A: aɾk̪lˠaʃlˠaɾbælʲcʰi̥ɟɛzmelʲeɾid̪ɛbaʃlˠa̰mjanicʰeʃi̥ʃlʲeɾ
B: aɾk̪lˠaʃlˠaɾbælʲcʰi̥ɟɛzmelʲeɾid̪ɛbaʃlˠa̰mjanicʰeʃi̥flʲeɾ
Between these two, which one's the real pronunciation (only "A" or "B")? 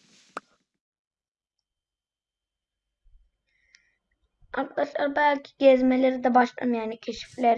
B